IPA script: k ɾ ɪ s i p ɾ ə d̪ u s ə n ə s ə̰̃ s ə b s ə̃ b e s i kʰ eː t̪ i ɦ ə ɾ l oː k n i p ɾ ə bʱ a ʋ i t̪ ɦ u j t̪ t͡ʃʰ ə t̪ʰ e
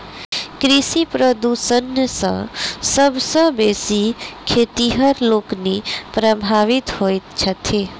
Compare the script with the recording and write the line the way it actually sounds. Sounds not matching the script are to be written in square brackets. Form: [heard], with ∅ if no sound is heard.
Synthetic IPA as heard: k ɾ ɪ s i p ɾ ə d̪ u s ə n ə s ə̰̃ s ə b s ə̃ b e s i kʰ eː t̪ i ɦ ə ɾ l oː k n i p ɾ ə bʱ a ʋ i t̪ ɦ [o] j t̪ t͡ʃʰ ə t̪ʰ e